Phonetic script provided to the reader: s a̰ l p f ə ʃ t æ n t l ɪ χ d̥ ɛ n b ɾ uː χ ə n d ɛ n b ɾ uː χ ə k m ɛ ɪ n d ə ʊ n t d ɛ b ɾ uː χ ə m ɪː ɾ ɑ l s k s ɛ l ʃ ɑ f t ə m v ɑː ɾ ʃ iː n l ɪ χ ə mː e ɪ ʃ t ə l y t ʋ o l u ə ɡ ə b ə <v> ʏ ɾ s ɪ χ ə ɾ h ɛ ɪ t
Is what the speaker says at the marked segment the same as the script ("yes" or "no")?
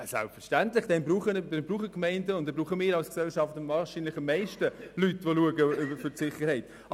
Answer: no